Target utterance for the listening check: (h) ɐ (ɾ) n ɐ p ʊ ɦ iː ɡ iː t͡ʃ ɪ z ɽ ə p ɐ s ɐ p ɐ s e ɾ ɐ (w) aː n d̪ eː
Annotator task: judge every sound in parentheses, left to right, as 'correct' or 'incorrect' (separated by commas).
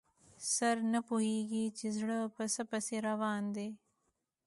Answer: incorrect, correct, incorrect